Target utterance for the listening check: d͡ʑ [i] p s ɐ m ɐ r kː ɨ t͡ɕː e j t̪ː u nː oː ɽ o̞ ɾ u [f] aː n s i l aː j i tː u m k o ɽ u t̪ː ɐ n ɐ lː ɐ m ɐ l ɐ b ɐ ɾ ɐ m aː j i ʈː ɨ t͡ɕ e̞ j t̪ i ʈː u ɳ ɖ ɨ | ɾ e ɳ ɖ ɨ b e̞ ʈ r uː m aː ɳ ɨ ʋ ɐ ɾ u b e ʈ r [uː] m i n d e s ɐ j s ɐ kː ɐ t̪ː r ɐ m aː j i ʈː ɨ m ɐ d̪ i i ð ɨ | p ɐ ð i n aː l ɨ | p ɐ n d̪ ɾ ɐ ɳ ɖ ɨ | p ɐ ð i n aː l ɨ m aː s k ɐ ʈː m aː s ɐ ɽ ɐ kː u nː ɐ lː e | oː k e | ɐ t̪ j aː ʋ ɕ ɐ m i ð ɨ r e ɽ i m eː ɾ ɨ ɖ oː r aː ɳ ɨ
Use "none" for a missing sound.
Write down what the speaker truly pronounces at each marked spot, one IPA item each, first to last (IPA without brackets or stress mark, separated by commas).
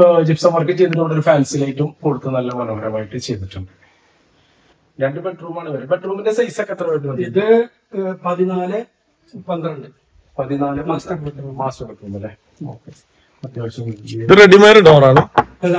i, f, uː